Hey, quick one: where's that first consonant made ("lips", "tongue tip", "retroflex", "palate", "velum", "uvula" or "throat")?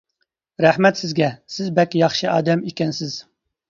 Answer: tongue tip